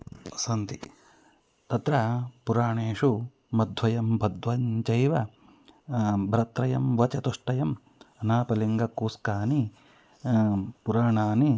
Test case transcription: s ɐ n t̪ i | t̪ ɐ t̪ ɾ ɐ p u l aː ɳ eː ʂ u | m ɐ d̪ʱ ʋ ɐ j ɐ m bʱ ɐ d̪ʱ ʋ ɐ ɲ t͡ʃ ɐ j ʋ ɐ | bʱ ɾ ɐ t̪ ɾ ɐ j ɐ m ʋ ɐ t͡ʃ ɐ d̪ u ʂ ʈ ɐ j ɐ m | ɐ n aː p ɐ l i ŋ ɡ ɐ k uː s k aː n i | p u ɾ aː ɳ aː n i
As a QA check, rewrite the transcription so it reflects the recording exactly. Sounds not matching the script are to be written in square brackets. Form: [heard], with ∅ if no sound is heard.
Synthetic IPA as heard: s ɐ n t̪ i | t̪ ɐ t̪ ɾ ɐ p u [ɾ] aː ɳ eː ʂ u | m ɐ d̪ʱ ʋ ɐ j ɐ m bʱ ɐ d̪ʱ ʋ ɐ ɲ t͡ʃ ɐ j ʋ ɐ | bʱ ɾ ɐ t̪ ɾ ɐ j ɐ m ʋ ɐ t͡ʃ ɐ [t̪] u ʂ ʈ ɐ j ɐ m | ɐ n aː p ɐ l i ŋ ɡ ɐ k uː s k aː n i | p u ɾ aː ɳ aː n i